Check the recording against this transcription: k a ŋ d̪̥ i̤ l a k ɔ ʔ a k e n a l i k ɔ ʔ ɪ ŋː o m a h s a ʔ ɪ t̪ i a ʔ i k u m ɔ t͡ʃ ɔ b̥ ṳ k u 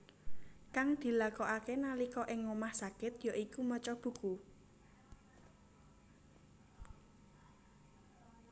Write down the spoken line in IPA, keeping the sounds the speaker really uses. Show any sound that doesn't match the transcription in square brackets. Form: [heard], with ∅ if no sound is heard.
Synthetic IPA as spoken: k a ŋ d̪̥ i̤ l a k ɔ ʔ a k e n a l i k ɔ ʔ ɪ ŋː o m a h s a [k] ɪ t̪ [j] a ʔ i k u m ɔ t͡ʃ ɔ b̥ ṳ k u

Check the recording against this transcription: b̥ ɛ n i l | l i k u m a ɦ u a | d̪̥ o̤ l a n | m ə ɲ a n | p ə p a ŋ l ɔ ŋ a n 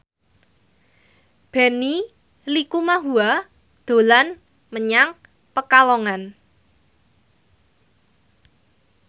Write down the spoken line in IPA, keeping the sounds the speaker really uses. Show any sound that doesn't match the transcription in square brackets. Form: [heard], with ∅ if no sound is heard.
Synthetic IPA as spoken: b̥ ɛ n i [∅] | l i k u m a ɦ u a | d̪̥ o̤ l a n | m ə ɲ a [ŋ] | p ə [k] a [∅] l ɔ ŋ a n

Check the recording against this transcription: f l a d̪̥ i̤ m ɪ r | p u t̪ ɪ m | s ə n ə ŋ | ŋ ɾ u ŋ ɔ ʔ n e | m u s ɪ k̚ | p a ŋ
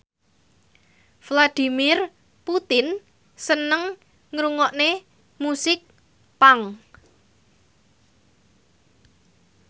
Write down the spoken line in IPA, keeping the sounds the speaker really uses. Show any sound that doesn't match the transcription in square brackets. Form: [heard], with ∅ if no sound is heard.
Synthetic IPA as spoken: f l a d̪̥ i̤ m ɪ r | p u t̪ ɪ [n] | s ə n ə ŋ | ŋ ɾ u ŋ ɔ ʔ n e | m u s ɪ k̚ | p a ŋ

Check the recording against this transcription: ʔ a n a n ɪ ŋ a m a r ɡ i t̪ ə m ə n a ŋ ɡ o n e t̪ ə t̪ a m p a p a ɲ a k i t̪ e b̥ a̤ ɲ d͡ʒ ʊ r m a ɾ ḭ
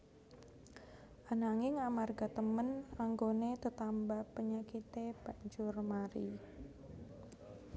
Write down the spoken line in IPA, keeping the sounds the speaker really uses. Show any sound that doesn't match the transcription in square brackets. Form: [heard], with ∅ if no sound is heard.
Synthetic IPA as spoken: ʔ a n a [ŋ] ɪ ŋ a m a r ɡ [a] t̪ ə m ə n a ŋ ɡ o n e t̪ ə t̪ a m [b] a p [ə] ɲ a k i t̪ e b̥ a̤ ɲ d͡ʒ ʊ r m a ɾ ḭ

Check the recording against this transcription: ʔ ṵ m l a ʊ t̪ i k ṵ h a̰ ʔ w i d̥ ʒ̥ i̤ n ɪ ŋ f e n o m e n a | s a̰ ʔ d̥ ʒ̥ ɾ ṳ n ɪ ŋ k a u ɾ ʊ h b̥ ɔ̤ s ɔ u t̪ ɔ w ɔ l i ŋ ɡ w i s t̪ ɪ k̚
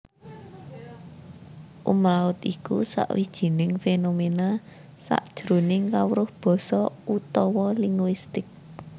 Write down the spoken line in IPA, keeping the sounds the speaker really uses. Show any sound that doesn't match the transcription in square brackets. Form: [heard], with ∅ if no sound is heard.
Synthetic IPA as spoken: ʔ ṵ m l a ʊ t̪ i k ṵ [s] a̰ ʔ w i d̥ ʒ̥ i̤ n ɪ ŋ f e n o m e n a | s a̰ ʔ d̥ ʒ̥ ɾ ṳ n ɪ ŋ k a [w] ɾ ʊ h b̥ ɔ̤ s ɔ u t̪ ɔ w ɔ l i ŋ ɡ w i s t̪ ɪ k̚

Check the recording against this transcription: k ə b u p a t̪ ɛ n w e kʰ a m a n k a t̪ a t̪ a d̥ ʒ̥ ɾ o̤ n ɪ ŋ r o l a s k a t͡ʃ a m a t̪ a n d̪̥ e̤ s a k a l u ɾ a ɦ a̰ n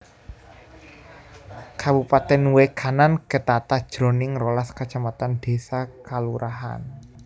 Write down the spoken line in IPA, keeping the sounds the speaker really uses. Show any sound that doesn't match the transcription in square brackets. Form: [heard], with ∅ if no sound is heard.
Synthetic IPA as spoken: k [a] b u p a t̪ ɛ n w e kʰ a [n] a n k [ə] t̪ a t̪ a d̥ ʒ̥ ɾ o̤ n ɪ ŋ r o l a s k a t͡ʃ a m a t̪ a n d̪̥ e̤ s a k a l u ɾ a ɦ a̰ n

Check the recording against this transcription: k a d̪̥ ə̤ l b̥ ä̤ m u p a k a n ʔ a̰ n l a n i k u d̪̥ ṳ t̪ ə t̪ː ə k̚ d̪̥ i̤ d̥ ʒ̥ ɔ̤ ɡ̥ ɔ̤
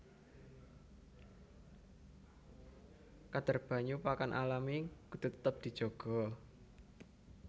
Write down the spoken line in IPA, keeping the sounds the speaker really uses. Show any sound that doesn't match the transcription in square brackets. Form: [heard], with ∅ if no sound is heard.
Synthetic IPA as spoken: k a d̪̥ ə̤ [r] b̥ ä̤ [ɲ] u p a k a n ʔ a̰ [∅] l a [m] i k u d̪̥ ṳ t̪ ə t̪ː ə [p̚] d̪̥ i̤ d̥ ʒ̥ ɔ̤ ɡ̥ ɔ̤

